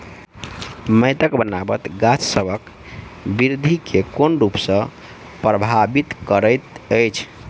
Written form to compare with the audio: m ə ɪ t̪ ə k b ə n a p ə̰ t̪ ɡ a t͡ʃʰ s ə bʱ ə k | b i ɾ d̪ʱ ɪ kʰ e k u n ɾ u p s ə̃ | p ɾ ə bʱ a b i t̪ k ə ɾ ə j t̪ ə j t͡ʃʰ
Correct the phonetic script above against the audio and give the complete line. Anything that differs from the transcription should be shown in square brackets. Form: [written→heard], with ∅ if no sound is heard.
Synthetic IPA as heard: m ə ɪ t̪ ə k b ə n a [p→b] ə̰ t̪ ɡ a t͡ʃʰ s ə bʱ ə k | b i ɾ d̪ʱ [ɪ→i] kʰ e k [u→o] n ɾ u p s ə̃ | p ɾ ə bʱ a b i t̪ k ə ɾ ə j t̪ ə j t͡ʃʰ